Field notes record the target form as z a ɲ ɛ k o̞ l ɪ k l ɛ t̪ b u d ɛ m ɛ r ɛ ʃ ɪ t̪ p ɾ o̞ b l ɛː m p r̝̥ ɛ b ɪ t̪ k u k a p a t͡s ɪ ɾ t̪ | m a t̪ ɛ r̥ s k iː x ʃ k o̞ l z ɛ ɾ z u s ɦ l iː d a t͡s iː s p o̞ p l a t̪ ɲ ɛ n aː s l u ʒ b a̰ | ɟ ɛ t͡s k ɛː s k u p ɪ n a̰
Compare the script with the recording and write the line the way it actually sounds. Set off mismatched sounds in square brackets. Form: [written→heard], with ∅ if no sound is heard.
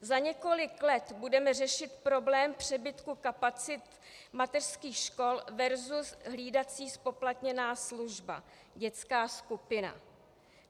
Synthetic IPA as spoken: z a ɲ ɛ k o̞ l ɪ k l ɛ t̪ b u d ɛ m ɛ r ɛ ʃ ɪ t̪ p ɾ o̞ b l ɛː m p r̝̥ ɛ b ɪ t̪ k u k a p a t͡s ɪ [ɾ→∅] t̪ | m a t̪ ɛ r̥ s k iː x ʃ k o̞ l [z→v] ɛ ɾ z u s ɦ l iː d a t͡s iː s p o̞ p l a t̪ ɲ ɛ n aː s l u ʒ b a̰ | ɟ ɛ t͡s k [ɛː→aː] s k u p ɪ n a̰